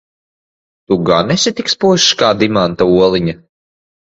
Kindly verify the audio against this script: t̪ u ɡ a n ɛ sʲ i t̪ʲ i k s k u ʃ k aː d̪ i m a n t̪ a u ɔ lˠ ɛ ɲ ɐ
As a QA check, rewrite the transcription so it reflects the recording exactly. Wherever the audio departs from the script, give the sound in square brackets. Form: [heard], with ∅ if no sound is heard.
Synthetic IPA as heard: t̪ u ɡ a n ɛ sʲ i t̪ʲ i k s [p] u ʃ k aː d̪ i m a n t̪ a u ɔ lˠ [i] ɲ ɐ